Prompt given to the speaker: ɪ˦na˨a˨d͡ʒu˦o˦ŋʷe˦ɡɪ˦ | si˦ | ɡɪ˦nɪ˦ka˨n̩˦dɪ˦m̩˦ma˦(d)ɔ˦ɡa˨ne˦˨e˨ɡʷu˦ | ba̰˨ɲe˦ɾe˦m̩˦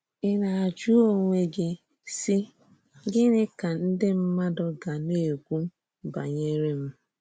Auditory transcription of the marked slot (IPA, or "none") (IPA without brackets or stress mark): d